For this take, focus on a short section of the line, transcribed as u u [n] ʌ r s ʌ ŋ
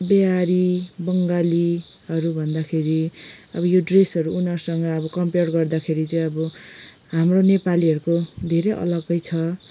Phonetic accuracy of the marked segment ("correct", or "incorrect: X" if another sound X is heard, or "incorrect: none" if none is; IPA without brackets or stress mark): correct